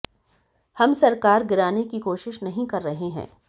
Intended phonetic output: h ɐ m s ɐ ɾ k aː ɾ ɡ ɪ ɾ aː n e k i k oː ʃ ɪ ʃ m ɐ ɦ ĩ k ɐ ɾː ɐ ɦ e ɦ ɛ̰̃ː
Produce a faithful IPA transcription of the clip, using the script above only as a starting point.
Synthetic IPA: h ɐ m s ɐ ɾ k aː ɾ ɡ ɪ ɾ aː n e k i k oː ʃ ɪ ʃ n ɐ ɦ ĩ k ɐ ɾː ɐ ɦ e ɦ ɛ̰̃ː